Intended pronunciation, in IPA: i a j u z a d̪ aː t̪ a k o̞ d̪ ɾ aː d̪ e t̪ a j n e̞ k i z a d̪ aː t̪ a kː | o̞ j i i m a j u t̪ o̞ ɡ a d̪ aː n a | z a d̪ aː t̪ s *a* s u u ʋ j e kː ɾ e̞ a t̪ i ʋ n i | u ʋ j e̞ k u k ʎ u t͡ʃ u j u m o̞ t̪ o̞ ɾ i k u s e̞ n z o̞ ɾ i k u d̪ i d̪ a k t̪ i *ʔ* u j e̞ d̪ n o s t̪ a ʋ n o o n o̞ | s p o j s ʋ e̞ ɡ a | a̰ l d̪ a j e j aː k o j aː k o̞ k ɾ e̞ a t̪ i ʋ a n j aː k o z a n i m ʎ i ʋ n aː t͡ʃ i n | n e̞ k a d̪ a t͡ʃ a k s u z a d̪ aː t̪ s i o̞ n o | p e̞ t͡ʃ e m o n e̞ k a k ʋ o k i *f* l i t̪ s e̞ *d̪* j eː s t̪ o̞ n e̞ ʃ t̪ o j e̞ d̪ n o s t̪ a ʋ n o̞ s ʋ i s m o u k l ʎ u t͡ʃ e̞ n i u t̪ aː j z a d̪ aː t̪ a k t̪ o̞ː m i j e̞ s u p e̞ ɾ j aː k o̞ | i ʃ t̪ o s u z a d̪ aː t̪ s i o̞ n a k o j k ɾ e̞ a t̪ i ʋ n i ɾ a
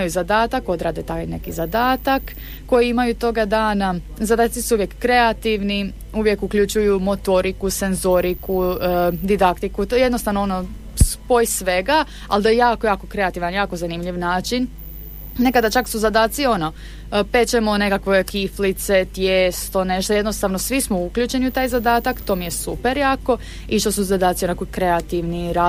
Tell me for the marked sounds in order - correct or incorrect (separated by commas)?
incorrect, incorrect, correct, incorrect